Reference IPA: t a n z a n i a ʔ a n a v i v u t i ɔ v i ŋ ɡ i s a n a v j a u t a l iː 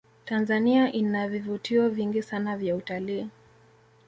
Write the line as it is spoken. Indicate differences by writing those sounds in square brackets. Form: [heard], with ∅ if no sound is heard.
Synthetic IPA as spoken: t a n z a n i a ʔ [i] n a v i v u t i ɔ v i ŋ ɡ i s a n a v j a u t a l iː